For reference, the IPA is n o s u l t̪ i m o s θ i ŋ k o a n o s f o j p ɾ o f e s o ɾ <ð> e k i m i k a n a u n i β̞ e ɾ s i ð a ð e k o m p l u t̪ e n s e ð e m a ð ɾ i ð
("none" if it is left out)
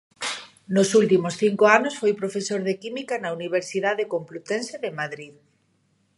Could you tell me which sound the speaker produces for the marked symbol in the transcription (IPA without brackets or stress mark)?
ð